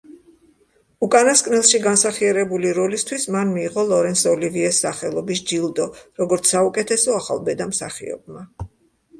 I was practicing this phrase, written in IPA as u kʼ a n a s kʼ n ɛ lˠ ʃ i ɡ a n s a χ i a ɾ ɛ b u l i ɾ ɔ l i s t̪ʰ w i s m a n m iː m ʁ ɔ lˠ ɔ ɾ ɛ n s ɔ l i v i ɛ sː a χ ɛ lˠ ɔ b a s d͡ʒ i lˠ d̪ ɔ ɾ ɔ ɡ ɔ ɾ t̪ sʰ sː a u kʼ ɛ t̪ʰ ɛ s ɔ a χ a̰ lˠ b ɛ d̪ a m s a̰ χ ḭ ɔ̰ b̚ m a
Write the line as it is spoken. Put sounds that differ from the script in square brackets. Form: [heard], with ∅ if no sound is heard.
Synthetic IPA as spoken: u kʼ a n a s kʼ n ɛ lˠ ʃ i ɡ a n s a χ i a ɾ ɛ b u l i ɾ ɔ l i s t̪ʰ w i s m a n m iː [∅] ʁ ɔ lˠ ɔ ɾ ɛ n s ɔ l i v i ɛ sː a χ ɛ lˠ ɔ b [i] s d͡ʒ i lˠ d̪ ɔ ɾ ɔ ɡ ɔ ɾ t̪ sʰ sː a u kʼ ɛ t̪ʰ ɛ s ɔ a χ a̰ lˠ b ɛ d̪ a m s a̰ χ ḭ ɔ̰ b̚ m a